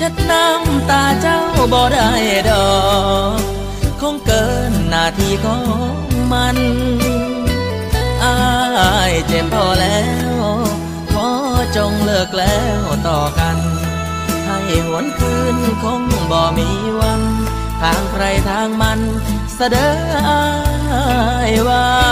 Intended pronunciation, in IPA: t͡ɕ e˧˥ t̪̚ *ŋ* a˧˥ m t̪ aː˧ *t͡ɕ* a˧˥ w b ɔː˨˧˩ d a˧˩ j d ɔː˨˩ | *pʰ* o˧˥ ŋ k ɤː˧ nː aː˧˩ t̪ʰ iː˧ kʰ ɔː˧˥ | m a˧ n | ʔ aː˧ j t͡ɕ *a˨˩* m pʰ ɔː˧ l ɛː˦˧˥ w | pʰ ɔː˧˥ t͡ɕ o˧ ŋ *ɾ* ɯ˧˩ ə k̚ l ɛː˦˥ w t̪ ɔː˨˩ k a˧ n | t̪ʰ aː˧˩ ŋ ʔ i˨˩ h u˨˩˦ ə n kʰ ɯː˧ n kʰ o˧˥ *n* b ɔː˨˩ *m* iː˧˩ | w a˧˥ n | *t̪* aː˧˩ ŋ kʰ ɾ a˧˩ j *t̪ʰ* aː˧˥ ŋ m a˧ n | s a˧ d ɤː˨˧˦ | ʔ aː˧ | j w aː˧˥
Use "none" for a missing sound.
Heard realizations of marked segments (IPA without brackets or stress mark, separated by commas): n, t͡ɕ, kʰ, e˨˩, l, ŋ, m, t̪ʰ, t̪ʰ